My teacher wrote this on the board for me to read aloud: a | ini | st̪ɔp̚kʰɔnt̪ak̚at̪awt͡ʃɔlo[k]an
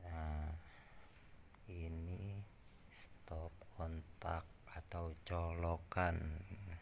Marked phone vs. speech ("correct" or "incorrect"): correct